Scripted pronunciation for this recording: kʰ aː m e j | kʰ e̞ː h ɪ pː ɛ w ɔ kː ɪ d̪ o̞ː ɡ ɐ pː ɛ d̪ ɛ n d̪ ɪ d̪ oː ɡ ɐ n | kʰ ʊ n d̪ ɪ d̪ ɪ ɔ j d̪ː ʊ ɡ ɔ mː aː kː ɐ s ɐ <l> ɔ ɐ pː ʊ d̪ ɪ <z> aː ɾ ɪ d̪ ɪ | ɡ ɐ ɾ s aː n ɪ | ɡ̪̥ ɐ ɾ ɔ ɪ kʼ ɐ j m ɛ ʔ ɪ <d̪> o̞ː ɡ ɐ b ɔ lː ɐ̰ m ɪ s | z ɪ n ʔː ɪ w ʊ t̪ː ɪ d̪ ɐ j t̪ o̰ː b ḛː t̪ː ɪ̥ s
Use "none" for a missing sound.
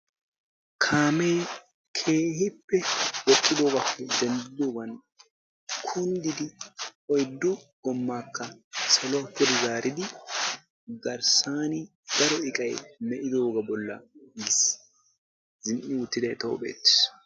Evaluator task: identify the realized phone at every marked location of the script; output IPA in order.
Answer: l, z, d̪

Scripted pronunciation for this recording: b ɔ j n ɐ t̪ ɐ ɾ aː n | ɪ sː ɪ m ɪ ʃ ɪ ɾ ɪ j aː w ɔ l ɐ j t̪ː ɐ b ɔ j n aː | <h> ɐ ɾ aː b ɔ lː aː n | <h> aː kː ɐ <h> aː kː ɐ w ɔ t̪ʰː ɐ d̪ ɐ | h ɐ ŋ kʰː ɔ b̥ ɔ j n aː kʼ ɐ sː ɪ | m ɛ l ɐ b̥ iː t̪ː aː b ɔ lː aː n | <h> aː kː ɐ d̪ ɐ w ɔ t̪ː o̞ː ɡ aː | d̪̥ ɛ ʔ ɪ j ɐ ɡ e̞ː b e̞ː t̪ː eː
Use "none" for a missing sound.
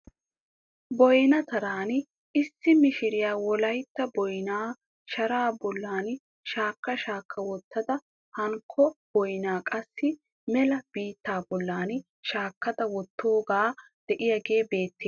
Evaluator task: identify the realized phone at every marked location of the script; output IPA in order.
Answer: ʃ, ʃ, ʃ, ʃ

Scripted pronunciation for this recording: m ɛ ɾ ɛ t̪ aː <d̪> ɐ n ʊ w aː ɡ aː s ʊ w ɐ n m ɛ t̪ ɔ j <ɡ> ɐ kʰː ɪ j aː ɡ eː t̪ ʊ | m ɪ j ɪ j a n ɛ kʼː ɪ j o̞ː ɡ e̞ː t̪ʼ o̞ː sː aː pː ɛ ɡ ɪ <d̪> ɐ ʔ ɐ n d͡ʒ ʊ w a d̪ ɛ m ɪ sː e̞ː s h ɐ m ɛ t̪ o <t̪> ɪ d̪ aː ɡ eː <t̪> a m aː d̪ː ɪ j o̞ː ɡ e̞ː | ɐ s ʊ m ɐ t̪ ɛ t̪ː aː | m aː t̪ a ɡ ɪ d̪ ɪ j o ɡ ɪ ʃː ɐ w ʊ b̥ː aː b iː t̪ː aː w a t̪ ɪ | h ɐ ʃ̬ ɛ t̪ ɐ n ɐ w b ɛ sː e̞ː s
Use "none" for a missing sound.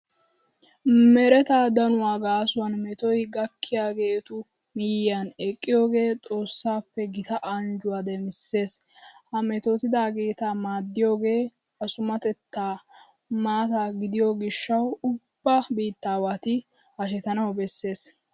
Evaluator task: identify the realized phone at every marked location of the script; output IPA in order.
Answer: d̪, ɡ, t̪, t̪, t̪

